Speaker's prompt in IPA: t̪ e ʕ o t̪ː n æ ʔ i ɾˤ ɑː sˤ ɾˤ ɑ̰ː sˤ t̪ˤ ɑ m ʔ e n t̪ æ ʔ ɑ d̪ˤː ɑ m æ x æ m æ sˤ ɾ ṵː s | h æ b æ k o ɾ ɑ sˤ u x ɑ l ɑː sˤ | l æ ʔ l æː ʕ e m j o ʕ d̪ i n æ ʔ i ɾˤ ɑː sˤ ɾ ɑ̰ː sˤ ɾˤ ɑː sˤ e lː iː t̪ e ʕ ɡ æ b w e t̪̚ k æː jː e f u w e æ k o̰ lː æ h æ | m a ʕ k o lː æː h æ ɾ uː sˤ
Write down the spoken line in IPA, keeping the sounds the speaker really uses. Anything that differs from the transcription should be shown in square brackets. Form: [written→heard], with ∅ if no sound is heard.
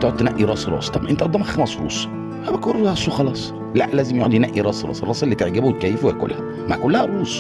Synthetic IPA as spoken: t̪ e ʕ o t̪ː n æ ʔ i ɾˤ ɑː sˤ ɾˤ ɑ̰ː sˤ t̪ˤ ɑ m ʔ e n t̪ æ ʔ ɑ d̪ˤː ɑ m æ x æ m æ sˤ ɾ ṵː s | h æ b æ k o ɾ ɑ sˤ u x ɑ l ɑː sˤ | l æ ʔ l æː [ʕ→z] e m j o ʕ d̪ i n æ ʔ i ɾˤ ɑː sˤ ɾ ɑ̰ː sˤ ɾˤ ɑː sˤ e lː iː t̪ e ʕ ɡ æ b w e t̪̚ k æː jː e f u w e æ k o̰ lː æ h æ | m a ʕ k o lː [æː→æ] h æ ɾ uː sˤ